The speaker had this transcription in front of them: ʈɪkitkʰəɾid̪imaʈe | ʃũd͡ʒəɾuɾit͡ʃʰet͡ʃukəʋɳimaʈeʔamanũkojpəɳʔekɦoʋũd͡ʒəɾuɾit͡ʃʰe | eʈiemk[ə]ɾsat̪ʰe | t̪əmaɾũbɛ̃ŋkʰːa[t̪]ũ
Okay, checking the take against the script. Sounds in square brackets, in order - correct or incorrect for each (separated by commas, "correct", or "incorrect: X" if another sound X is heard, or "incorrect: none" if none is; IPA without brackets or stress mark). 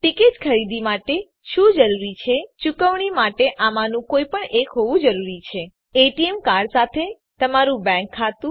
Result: incorrect: a, correct